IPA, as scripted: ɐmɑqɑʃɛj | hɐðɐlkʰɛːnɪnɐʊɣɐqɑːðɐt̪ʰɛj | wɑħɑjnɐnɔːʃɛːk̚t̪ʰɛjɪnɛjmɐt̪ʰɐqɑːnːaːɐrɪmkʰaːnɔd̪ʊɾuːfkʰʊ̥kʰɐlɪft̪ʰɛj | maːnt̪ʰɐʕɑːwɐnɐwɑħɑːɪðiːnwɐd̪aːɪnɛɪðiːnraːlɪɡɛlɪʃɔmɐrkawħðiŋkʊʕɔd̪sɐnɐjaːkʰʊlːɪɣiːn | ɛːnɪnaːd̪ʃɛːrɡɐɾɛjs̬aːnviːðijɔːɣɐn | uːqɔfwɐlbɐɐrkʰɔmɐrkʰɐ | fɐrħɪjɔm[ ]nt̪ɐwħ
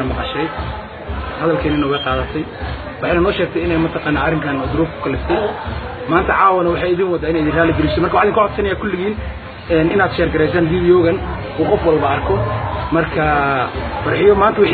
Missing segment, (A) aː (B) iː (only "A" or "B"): A